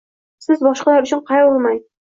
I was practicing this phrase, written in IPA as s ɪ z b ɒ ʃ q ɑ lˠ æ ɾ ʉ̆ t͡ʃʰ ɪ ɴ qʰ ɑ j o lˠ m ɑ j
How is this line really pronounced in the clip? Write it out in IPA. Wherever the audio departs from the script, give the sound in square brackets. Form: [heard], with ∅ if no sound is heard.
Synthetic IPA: s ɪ z b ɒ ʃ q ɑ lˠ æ ɾ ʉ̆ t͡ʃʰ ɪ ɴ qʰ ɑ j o lˠ m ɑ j